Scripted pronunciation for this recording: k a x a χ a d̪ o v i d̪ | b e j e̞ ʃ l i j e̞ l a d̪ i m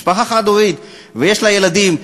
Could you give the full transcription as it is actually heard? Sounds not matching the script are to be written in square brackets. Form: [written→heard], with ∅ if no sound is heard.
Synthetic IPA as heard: [k→p] a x a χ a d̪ o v i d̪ | [b→v] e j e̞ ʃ l [i→a] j e̞ l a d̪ i m